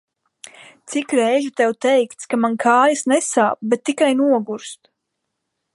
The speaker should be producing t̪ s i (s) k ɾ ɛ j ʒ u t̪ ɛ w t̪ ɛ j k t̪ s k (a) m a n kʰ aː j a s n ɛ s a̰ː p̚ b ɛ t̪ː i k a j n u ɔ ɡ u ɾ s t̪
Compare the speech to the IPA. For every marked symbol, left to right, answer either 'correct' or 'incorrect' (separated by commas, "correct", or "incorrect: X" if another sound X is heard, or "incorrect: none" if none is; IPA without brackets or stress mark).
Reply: incorrect: none, correct